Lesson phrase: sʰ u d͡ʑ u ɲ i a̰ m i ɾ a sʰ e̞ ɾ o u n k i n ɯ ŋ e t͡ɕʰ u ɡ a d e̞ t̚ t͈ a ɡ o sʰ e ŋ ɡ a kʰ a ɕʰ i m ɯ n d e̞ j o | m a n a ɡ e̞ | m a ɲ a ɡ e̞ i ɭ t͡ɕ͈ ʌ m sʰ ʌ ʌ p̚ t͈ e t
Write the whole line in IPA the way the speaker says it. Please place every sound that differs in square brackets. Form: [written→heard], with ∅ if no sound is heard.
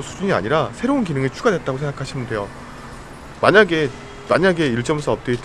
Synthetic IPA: sʰ u d͡ʑ u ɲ i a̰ [m→ɲ] i ɾ a sʰ e̞ ɾ o u n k i n ɯ ŋ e t͡ɕʰ u ɡ a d e̞ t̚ t͈ a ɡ o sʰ e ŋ ɡ a kʰ a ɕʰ i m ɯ n d e̞ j o | m a [n→ɲ] a ɡ e̞ | m a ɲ a ɡ e̞ i ɭ t͡ɕ͈ ʌ m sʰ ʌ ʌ p̚ t͈ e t

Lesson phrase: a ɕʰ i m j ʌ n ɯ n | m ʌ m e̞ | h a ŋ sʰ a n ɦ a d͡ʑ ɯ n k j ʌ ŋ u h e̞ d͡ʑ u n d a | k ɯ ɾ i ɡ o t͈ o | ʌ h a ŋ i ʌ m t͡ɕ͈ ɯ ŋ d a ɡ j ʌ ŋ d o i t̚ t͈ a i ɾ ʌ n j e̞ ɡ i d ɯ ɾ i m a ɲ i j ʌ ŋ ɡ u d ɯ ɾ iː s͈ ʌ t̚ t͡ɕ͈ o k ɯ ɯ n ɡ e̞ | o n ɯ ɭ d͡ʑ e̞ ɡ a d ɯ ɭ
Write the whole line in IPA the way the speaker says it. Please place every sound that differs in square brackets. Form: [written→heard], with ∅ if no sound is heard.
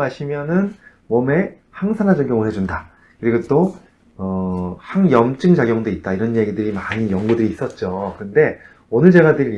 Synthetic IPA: a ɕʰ i m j ʌ n ɯ n | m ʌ m e̞ | h a ŋ sʰ a n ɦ a d͡ʑ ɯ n k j ʌ ŋ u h e̞ d͡ʑ u n d a | k ɯ ɾ i ɡ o t͈ o | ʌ h a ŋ [i→j] ʌ m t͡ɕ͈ ɯ ŋ [d→d͡ʑ] a ɡ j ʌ ŋ d o i t̚ t͈ a i ɾ ʌ n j e̞ ɡ i d ɯ ɾ i m a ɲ i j ʌ ŋ ɡ u d ɯ ɾ iː s͈ ʌ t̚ t͡ɕ͈ o k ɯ ɯ n [ɡ→d] e̞ | o n ɯ ɭ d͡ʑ e̞ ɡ a d ɯ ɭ

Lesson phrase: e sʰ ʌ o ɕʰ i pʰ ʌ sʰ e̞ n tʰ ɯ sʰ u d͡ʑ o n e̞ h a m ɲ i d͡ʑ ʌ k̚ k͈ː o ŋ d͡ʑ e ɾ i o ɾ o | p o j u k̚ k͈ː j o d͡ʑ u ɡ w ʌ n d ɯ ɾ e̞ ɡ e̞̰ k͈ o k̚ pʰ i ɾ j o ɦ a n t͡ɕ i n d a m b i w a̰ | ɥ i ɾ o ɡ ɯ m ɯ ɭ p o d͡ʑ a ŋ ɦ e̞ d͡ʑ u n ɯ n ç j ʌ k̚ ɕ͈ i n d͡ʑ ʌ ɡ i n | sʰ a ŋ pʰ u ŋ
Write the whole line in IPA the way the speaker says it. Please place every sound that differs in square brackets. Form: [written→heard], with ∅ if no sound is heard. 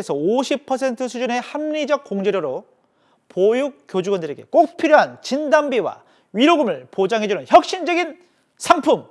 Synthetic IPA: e sʰ ʌ o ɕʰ i pʰ ʌ sʰ e̞ n tʰ ɯ sʰ u d͡ʑ [o→u] n e̞ h a m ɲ i d͡ʑ ʌ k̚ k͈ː o ŋ d͡ʑ e ɾ [i→j] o ɾ o | p o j u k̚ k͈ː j o d͡ʑ u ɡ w ʌ n d ɯ ɾ e̞ ɡ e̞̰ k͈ o k̚ pʰ i ɾ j o ɦ a n t͡ɕ i n d a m b i w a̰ | ɥ i ɾ o ɡ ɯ m ɯ ɭ p o d͡ʑ a ŋ ɦ e̞ d͡ʑ u n ɯ n ç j ʌ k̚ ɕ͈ i n d͡ʑ ʌ ɡ i n | sʰ a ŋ pʰ u [ŋ→m]

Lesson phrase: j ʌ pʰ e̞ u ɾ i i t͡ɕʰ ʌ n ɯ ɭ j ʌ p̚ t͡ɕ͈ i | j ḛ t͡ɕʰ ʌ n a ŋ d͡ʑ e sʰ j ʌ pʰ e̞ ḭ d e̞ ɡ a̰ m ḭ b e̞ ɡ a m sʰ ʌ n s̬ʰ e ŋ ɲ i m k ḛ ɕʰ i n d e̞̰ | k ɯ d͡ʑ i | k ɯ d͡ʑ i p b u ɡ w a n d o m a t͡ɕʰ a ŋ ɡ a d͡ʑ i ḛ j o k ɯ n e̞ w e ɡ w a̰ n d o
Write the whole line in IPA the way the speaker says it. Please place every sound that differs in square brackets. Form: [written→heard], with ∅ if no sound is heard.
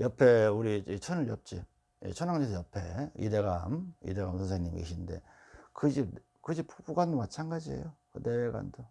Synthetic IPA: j ʌ pʰ e̞ u ɾ i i t͡ɕʰ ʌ n ɯ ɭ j ʌ p̚ t͡ɕ͈ i | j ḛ t͡ɕʰ ʌ n a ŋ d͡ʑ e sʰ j ʌ pʰ e̞ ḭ d e̞ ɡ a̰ m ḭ [b→d] e̞ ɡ a m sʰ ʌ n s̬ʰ e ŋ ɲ i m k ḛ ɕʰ i n d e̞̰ | k ɯ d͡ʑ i | k ɯ d͡ʑ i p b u ɡ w a n d o m a t͡ɕʰ a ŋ ɡ a d͡ʑ i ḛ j o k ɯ n e̞ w e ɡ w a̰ n d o

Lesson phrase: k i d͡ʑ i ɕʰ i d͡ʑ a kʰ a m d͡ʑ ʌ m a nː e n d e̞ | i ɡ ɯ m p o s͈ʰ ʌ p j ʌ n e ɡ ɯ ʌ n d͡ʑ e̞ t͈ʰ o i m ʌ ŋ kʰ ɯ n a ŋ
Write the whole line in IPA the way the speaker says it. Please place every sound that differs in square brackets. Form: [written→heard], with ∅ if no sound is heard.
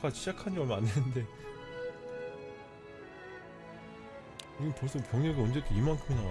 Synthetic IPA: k [i→a] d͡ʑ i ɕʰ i d͡ʑ a kʰ a [m→n] d͡ʑ ʌ m a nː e n d e̞ | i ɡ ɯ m p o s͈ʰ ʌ p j ʌ [n→ŋ] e ɡ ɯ ʌ n d͡ʑ e̞ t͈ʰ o i m [ʌ→a] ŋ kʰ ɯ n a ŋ

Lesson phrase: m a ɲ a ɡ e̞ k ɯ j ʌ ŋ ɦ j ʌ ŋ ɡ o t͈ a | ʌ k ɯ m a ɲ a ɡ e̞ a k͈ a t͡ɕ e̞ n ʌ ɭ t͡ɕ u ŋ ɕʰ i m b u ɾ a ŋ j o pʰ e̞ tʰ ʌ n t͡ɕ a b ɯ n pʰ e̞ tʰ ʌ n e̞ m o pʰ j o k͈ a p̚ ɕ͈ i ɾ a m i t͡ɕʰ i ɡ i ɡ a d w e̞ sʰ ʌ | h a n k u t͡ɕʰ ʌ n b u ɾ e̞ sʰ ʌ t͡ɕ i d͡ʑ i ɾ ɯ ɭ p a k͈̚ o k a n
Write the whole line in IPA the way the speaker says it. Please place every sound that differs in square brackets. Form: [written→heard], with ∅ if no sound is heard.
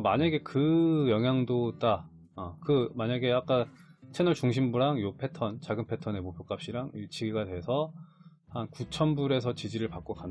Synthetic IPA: m a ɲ a ɡ e̞ k ɯ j ʌ ŋ ɦ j [ʌ→a] ŋ [ɡ→d] o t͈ a | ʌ k ɯ m a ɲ a ɡ e̞ a k͈ a [t͡ɕ→t͡ɕʰ] e̞ n ʌ ɭ t͡ɕ u ŋ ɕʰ i m b u ɾ a ŋ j o pʰ e̞ tʰ ʌ n t͡ɕ a [b→ɡ] ɯ n pʰ e̞ tʰ ʌ n e̞ m o pʰ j o k͈ a p̚ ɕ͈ i ɾ a [m→ŋ] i t͡ɕʰ i ɡ i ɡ a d w e̞ sʰ ʌ | h a n k u t͡ɕʰ ʌ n b u ɾ e̞ sʰ ʌ t͡ɕ i d͡ʑ i ɾ ɯ ɭ p a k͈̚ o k a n

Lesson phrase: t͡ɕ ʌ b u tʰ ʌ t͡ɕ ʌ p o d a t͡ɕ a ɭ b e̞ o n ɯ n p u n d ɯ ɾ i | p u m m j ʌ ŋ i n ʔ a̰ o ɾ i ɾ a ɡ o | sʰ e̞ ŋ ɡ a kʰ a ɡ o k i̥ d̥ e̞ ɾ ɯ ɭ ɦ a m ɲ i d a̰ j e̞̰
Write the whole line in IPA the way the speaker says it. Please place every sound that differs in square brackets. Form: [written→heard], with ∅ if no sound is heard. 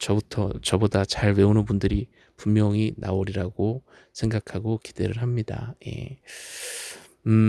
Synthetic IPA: t͡ɕ ʌ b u tʰ ʌ t͡ɕ ʌ [p→b] o d a t͡ɕ a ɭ [b→w] e̞ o n ɯ n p u n d ɯ ɾ i | p u m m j ʌ ŋ i n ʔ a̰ o ɾ i ɾ a ɡ o | sʰ e̞ ŋ ɡ a kʰ a ɡ o k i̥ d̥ e̞ ɾ ɯ ɭ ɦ a m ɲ i d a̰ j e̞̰

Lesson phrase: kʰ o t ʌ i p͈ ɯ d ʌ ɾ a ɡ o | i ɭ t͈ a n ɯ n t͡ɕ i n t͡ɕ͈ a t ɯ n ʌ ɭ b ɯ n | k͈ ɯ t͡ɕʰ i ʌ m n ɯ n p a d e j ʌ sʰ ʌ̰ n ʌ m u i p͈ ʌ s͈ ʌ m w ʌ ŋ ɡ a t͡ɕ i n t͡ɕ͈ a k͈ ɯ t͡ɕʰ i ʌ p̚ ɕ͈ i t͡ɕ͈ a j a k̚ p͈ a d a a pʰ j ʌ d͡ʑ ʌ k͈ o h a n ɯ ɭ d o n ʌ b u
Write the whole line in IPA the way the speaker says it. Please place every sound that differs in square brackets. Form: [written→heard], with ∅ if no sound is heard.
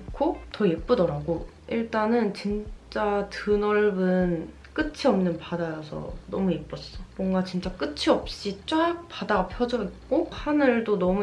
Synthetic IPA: kʰ o t ʌ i p͈ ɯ d ʌ ɾ a ɡ o | i ɭ t͈ a n ɯ n t͡ɕ i n t͡ɕ͈ a t ɯ n ʌ ɭ b ɯ n | k͈ ɯ t͡ɕʰ i ʌ m n ɯ n p a d [e→a] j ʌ sʰ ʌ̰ n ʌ m u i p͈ ʌ s͈ ʌ m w ʌ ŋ ɡ a t͡ɕ i n t͡ɕ͈ a k͈ ɯ t͡ɕʰ i ʌ p̚ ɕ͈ i t͡ɕ͈ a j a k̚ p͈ a d a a pʰ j ʌ d͡ʑ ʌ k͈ o h a n ɯ ɭ d o n ʌ [b→m] u

